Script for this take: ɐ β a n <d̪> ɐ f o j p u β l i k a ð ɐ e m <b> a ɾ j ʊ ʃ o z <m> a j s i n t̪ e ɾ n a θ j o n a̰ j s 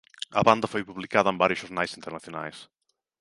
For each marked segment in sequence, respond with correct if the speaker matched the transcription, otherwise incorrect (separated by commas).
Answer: correct, correct, incorrect